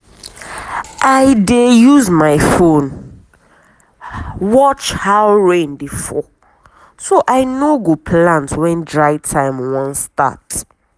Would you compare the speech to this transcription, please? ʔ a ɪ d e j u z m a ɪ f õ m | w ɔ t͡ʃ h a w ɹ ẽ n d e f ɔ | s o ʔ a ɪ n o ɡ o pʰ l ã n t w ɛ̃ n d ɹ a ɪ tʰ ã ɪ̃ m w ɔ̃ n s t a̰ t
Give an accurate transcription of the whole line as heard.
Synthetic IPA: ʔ a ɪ d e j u z m a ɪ f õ n | w ɔ t͡ʃ h a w ɹ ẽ n d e f ɔ | s o ʔ a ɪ n o ɡ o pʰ l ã n t w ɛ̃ n d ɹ a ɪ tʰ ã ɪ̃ m w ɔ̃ n s t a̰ t